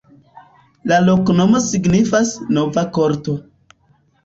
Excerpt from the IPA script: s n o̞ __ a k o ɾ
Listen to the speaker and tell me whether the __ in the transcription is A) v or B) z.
A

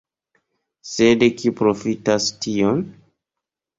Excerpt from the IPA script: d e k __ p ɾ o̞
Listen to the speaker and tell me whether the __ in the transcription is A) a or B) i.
B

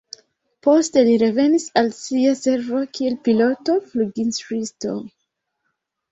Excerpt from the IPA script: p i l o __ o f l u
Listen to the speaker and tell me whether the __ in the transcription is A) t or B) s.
A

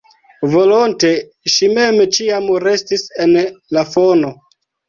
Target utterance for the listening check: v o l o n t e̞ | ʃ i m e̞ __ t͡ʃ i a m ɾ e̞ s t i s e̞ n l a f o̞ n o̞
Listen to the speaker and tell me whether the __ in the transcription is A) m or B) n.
A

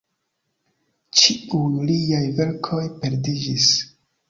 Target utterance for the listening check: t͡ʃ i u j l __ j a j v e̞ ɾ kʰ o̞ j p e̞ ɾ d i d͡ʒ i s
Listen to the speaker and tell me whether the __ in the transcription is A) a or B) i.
B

